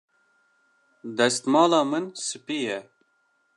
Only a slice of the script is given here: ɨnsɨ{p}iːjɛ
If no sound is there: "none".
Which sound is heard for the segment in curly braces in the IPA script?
p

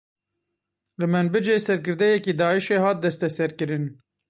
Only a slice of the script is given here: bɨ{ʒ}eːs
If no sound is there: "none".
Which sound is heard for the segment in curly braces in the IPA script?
d͡ʒ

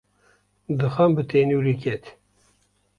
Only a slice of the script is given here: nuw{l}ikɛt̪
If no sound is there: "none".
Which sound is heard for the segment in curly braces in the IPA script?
ɾ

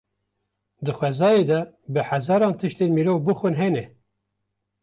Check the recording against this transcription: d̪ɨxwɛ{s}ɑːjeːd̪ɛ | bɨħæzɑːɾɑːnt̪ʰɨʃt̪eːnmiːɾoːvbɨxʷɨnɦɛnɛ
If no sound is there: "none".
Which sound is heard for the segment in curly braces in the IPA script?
z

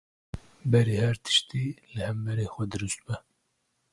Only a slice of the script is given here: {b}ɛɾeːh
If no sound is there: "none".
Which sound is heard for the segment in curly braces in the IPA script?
b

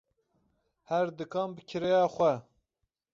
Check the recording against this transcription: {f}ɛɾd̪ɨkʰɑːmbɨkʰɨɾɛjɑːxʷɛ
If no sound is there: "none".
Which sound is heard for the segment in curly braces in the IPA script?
h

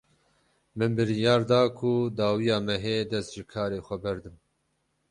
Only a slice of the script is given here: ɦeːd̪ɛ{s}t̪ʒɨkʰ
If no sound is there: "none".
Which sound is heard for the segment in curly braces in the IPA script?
s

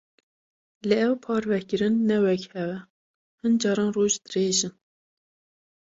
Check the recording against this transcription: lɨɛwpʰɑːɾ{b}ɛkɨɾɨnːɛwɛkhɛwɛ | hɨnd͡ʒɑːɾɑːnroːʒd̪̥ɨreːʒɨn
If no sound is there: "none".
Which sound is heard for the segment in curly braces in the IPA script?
v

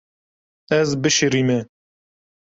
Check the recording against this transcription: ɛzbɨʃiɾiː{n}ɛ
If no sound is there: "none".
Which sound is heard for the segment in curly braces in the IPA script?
m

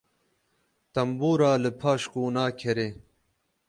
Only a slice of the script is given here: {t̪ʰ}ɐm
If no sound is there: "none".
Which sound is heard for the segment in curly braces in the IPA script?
t̪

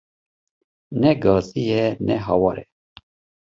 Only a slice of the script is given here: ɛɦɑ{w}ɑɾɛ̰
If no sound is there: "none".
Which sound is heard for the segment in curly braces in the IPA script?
w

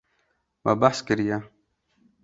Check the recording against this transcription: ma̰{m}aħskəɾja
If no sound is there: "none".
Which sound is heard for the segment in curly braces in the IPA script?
b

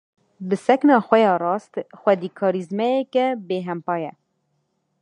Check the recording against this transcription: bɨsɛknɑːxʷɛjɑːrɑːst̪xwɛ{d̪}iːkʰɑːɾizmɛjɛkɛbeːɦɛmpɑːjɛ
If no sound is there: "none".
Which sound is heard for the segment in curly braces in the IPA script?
d̪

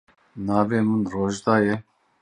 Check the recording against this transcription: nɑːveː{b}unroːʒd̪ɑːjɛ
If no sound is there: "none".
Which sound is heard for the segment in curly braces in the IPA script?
m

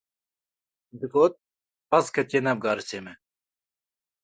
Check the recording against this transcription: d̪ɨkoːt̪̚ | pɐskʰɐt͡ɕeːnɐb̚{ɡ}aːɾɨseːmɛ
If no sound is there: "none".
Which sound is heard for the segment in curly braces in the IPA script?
ɡ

